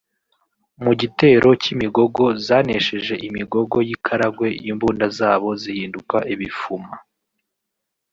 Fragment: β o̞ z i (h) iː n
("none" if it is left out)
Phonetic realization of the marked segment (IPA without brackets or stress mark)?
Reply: h